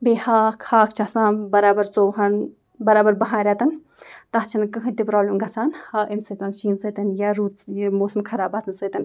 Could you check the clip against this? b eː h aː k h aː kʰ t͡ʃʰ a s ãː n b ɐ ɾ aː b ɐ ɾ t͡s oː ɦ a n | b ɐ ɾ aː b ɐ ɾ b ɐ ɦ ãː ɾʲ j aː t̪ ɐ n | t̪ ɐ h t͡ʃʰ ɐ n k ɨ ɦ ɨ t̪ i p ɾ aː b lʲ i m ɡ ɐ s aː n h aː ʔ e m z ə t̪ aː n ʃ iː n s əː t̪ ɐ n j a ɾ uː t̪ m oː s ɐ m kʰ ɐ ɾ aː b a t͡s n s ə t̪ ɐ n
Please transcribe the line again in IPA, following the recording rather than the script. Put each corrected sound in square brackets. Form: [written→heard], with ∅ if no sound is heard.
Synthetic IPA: b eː h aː k h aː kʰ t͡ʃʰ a s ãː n b ɐ ɾ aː b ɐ ɾ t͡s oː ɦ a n | b ɐ ɾ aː b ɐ ɾ b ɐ ɦ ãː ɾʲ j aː t̪ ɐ n | t̪ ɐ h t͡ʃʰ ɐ n k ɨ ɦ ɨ t̪ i p ɾ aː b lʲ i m ɡ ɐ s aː n h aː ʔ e m [z→s] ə t̪ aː n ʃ iː n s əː t̪ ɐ n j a ɾ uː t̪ m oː s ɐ m kʰ ɐ ɾ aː b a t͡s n s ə t̪ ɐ n